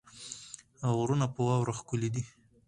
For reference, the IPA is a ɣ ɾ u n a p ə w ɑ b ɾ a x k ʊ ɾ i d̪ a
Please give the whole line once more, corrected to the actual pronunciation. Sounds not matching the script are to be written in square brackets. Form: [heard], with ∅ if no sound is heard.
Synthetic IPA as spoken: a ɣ ɾ u n a p ə w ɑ [w] ɾ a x k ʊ [l] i d̪ [i]